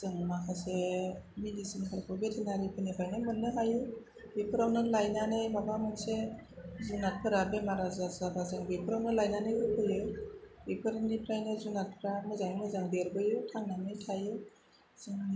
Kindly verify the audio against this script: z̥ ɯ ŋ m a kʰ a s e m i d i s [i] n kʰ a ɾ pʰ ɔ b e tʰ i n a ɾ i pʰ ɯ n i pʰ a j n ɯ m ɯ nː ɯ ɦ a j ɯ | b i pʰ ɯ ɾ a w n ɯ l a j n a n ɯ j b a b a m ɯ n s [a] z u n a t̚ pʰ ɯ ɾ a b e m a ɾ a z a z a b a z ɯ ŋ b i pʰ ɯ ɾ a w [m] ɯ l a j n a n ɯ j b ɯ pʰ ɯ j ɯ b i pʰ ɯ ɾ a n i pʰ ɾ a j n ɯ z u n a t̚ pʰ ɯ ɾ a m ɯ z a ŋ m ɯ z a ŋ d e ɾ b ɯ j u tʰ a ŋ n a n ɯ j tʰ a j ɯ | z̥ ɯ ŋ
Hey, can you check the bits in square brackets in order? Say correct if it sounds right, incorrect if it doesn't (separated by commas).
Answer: correct, incorrect, incorrect